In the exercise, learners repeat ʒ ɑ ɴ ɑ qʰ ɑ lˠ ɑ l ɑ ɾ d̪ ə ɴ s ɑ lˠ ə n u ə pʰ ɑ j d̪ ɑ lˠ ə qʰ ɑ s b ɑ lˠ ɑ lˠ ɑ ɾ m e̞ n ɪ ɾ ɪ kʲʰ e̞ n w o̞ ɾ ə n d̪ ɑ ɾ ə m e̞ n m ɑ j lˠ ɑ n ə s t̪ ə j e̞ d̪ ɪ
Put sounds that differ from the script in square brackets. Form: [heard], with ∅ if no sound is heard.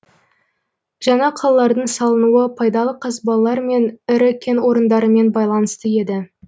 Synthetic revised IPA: ʒ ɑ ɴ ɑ qʰ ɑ lˠ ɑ l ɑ ɾ d̪ ə ɴ s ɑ lˠ ə n u ə pʰ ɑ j d̪ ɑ lˠ ə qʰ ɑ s b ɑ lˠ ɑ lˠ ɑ ɾ m e̞ n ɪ ɾ ɪ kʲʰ e̞ n w o̞ ɾ ə n d̪ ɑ ɾ ə m e̞ n [b] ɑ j lˠ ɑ n ə s t̪ ə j e̞ d̪ ɪ